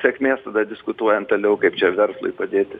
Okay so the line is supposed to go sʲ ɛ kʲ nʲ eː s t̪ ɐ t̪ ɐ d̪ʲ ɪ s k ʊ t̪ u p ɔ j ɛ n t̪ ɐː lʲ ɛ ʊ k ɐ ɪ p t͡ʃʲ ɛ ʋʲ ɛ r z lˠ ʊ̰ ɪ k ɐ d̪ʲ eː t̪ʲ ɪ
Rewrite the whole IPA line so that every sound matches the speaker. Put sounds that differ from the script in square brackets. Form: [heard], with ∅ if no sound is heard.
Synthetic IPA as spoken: sʲ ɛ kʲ [mʲ] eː s t̪ ɐ [d̪] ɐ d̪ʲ ɪ s k ʊ t̪ u [∅] ɔ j ɛ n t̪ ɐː lʲ ɛ ʊ k ɐ ɪ p t͡ʃʲ ɛ ʋʲ ɛ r [s] lˠ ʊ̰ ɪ [p] ɐ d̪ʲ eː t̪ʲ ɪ